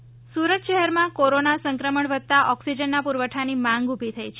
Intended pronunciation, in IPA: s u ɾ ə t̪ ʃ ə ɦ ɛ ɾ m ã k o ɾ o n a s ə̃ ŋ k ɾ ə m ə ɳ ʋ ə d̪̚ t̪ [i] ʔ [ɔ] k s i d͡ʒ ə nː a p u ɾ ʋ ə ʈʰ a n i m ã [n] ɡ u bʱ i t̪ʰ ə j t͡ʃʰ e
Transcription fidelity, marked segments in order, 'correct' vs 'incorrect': incorrect, correct, incorrect

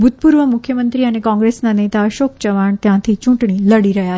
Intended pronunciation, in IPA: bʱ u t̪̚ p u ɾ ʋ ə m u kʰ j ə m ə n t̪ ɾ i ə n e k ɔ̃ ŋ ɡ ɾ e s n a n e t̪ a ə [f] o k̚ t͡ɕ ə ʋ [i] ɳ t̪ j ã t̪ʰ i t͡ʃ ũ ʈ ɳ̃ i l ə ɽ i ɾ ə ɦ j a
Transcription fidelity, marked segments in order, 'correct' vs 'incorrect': incorrect, incorrect

